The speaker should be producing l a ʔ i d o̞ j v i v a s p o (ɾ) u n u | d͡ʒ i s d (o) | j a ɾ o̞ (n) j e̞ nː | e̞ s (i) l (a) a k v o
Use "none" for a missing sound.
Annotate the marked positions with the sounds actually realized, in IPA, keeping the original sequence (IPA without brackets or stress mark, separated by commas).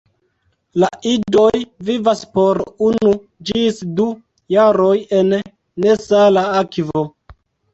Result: ɾ, u, none, a, a